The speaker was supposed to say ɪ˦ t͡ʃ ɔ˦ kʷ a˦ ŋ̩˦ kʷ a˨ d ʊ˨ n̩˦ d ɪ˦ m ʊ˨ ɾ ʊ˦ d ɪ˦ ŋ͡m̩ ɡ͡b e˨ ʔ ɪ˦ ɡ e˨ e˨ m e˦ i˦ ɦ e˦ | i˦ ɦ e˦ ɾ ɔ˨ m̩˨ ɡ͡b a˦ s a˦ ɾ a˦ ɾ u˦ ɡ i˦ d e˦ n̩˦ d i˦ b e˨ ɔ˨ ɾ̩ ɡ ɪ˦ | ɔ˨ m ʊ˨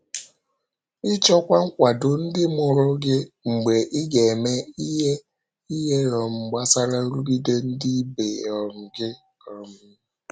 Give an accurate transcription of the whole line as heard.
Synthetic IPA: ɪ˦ t͡ʃ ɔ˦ kʷ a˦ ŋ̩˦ kʷ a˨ d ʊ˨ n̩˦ d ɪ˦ m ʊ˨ ɾ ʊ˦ ɡ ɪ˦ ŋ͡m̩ ɡ͡b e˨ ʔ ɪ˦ ɡ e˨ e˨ m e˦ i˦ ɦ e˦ | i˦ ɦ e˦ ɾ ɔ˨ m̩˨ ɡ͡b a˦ s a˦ ɾ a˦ ɾ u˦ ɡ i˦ d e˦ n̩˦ d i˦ b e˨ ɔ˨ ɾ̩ ɡ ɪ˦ | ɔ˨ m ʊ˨